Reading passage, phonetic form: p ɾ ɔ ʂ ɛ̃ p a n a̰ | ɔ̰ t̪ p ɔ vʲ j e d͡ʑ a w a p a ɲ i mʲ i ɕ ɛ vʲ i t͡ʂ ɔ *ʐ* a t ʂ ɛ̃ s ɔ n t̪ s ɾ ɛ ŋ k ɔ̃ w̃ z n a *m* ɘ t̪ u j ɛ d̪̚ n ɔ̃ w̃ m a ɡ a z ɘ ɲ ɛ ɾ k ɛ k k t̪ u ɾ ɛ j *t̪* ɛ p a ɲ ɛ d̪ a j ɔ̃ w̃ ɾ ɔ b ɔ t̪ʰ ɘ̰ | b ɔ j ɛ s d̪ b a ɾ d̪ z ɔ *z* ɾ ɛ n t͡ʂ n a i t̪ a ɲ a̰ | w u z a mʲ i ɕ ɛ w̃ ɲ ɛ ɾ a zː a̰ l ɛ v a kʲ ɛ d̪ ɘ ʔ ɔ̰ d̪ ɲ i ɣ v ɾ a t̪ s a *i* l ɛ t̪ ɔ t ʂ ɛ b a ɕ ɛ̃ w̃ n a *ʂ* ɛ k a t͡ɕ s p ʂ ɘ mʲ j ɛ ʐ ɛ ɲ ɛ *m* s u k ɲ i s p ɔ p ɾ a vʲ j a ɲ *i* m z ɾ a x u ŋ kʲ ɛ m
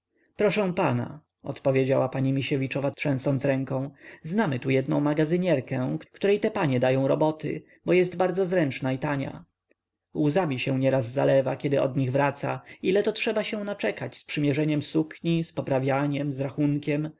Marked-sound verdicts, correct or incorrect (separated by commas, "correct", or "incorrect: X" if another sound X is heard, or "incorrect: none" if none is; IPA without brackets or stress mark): incorrect: v, correct, correct, correct, correct, incorrect: t͡ʂ, correct, incorrect: ɛ